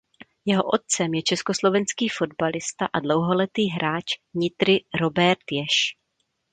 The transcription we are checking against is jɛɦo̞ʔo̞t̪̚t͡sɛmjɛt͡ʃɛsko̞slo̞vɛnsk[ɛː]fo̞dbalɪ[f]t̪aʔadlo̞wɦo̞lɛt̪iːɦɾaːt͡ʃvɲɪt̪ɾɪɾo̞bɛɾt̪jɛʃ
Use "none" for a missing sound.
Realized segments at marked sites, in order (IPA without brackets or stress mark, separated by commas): iː, s